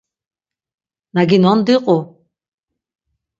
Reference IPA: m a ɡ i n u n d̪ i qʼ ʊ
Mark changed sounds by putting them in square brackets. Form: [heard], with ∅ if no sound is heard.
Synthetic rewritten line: [n] a ɡ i n [ɔ] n d̪ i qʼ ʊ